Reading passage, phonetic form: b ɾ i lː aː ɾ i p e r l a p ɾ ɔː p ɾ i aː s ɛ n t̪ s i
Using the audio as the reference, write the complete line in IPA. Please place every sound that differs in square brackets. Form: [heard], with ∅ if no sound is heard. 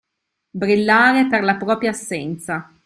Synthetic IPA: b ɾ i lː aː ɾ [e] p e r l a p ɾ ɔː p ɾ [j] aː [sː] ɛ n t̪ s [a]